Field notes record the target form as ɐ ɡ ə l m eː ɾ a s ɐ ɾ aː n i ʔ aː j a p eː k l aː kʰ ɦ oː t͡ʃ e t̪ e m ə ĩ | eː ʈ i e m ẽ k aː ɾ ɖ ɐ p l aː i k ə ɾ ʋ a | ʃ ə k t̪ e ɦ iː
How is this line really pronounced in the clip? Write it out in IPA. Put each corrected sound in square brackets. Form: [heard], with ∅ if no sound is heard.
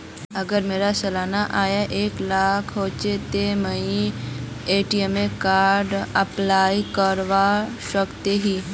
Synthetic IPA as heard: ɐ ɡ ə [ɾ] m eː ɾ a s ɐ [l] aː n [a] ʔ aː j a [ʔ] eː k l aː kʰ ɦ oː t͡ʃ e t̪ e m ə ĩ | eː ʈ i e m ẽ k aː ɾ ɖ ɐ p l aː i k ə ɾ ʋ a | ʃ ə k t̪ e ɦ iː